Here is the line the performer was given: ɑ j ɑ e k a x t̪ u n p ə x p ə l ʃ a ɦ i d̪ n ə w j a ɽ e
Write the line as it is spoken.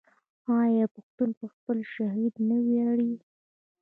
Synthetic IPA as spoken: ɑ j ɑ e p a x t̪ u n p ə x p ə l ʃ a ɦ i d̪ n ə w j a ɽ i